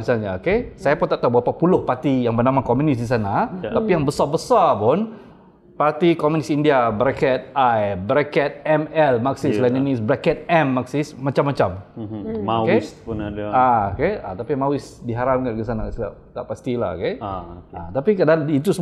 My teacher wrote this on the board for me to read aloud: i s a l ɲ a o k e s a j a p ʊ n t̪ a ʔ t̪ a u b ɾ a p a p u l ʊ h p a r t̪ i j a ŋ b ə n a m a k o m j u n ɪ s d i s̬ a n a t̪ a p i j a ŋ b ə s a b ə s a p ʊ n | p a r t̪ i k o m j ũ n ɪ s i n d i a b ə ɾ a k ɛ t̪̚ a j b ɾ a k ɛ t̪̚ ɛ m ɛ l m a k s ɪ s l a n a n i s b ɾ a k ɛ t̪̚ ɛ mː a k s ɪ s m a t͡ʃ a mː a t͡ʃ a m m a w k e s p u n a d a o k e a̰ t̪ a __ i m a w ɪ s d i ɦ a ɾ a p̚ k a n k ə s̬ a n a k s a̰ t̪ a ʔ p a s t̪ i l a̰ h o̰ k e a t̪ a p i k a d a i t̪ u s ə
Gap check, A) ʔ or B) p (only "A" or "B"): B